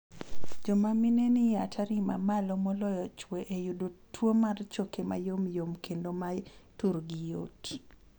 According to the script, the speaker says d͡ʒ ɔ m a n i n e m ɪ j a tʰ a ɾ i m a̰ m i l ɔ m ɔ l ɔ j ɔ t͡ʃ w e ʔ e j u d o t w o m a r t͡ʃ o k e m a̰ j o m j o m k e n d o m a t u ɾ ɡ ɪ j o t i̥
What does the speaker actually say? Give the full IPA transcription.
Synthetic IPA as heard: d͡ʒ ɔ m a m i n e n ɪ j a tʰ a ɾ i m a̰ m a l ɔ m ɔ l ɔ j ɔ t͡ʃ w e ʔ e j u d o t w o m a r t͡ʃ o k e m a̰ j o m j o m k e n d o m a t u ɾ ɡ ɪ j o t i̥

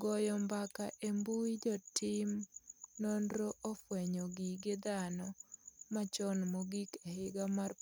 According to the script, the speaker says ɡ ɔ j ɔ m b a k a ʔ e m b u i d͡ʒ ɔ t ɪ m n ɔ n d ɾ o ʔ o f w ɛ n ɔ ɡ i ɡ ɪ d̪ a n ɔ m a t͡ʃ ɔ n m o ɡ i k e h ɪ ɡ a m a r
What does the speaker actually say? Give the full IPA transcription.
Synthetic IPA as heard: ɡ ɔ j ɔ m b a k a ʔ e m b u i d͡ʒ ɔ t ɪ m n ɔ n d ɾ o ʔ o f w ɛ ɲ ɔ ɡ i ɡ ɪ d̪ a n ɔ m a t͡ʃ ɔ n m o ɡ i k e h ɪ ɡ a m a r

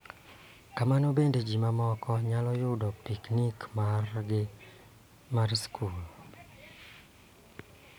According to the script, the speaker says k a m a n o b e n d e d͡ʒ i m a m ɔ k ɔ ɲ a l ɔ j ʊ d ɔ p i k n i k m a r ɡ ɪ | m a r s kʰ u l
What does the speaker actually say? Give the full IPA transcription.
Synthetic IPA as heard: k a m a n o b e n d e d͡ʒ i m a m ɔ k ɔ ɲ a l ɔ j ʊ d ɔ p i k n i k m a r ɡ ɪ | m a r s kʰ u l

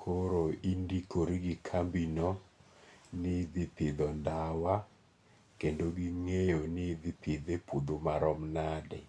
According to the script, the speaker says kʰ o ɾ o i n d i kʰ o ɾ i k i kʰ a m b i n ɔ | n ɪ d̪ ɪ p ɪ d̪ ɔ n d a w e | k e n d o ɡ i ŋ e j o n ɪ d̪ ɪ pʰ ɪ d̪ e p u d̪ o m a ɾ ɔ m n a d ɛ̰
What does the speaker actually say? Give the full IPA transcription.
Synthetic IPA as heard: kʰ o ɾ o i n d i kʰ o ɾ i ɡ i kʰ a m b i n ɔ | n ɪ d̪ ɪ p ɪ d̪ ɔ n d a w a | k e n d o ɡ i ŋ e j o n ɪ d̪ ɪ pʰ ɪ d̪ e p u d̪ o m a ɾ ɔ m n a d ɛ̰

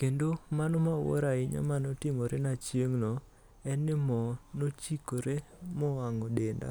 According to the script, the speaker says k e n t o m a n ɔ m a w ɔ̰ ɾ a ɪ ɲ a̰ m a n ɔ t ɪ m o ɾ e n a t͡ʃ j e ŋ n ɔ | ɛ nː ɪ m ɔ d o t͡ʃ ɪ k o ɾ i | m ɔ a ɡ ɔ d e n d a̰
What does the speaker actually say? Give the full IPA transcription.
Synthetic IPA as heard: k e n d o m a n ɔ m a w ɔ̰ ɾ a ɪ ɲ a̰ m a n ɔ t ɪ m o ɾ e n a t͡ʃ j e ŋ n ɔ | ɛ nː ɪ m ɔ n o t͡ʃ i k o ɾ e | m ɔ a ŋ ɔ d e n d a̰

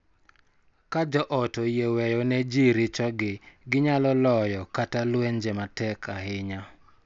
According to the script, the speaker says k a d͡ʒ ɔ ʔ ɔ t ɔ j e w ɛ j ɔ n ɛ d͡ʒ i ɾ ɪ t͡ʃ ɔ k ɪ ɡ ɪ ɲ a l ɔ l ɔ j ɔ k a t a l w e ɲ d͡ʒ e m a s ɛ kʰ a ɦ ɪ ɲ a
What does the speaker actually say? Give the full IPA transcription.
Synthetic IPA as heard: k a d͡ʒ ɔ ʔ ɔ t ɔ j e w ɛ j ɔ n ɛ d͡ʒ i ɾ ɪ t͡ʃ ɔ ɡ ɪ ɡ ɪ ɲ a l ɔ l ɔ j ɔ k a t a l w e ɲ d͡ʒ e m a t ɛ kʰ a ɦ ɪ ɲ a

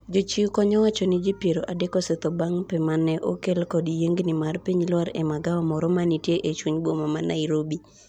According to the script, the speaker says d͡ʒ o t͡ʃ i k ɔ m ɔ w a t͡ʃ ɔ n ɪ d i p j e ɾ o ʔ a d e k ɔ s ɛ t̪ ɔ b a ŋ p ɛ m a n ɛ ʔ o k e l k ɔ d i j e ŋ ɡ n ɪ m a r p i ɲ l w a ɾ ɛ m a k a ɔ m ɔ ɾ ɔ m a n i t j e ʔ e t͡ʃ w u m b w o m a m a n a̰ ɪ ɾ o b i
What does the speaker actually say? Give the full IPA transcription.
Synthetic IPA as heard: d͡ʒ o t͡ʃ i k ɔ ɲ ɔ w a t͡ʃ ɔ n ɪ d͡ʒ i p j e ɾ o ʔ a d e k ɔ s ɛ t̪ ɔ b a ŋ p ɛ m a n ɛ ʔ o k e l k ɔ d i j e ŋ ɡ n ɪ m a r p i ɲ l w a ɾ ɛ m a ɡ a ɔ m ɔ ɾ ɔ m a n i t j e ʔ e t͡ʃ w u ɲ b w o m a m a n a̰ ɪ ɾ o b i

